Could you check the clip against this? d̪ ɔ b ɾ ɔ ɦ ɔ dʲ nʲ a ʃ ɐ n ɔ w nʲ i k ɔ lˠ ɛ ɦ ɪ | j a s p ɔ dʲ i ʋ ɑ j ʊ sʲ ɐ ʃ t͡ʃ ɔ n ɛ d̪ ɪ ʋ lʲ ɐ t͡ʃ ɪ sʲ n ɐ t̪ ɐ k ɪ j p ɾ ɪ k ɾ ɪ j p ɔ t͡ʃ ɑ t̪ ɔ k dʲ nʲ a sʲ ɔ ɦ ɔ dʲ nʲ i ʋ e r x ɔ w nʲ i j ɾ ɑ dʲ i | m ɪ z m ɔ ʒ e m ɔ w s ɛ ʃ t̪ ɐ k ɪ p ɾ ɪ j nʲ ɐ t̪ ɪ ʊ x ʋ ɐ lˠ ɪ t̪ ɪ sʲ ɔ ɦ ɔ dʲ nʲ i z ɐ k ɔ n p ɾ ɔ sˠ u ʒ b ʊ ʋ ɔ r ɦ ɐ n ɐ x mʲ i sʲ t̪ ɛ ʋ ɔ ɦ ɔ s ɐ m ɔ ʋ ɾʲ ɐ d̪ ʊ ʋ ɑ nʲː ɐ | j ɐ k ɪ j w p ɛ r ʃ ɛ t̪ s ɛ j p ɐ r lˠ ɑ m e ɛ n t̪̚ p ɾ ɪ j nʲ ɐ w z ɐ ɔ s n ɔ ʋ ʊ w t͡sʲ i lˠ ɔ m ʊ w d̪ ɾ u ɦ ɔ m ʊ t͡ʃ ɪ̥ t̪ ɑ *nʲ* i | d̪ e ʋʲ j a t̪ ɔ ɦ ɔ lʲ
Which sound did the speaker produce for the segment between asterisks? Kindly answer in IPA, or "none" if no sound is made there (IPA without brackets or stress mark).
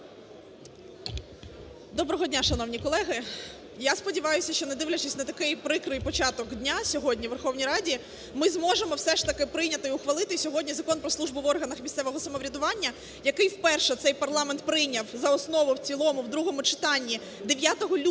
nʲː